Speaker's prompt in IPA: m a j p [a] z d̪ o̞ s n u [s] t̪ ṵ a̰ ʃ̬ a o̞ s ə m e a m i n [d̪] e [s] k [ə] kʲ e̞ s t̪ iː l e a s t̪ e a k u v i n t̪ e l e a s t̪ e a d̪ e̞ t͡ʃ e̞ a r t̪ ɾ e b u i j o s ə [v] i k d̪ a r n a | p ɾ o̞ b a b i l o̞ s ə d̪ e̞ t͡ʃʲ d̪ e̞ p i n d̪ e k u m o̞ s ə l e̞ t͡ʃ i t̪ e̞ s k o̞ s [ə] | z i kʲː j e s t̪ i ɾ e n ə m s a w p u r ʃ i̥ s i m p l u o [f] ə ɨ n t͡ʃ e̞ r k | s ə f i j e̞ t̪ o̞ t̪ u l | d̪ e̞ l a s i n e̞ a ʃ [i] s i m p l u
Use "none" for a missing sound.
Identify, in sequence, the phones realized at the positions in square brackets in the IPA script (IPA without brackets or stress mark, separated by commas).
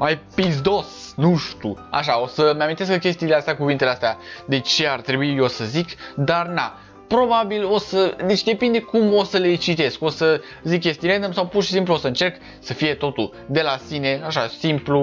i, ʃ, t̪, s, ə, z, ə, s, a